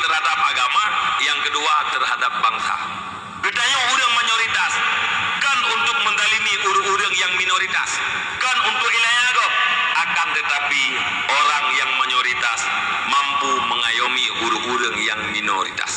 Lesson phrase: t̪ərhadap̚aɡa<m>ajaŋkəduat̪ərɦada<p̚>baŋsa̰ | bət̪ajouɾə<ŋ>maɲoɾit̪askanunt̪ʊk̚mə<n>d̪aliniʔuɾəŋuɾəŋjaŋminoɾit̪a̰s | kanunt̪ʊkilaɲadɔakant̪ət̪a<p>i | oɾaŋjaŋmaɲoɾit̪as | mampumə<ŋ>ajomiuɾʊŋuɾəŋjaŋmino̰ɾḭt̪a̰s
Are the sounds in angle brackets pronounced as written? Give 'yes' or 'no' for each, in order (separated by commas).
yes, yes, yes, yes, yes, yes